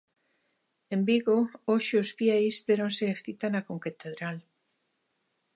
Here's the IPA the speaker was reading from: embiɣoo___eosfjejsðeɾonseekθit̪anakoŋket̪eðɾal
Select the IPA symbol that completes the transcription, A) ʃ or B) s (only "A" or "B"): A